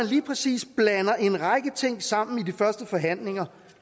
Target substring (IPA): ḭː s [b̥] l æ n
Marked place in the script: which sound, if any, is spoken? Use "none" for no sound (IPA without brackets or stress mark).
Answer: b̥